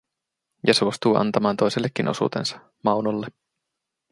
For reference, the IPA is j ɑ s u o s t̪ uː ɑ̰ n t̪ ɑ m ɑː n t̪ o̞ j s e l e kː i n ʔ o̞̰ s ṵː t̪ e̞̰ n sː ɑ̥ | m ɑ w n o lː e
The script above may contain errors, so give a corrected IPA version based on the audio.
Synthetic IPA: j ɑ s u o s t̪ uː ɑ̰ n t̪ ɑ m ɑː n t̪ o̞ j s e lː e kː i n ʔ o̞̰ s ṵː t̪ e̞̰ n s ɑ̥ | m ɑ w n o lː e